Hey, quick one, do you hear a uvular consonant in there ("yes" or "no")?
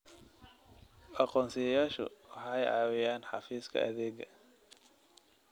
yes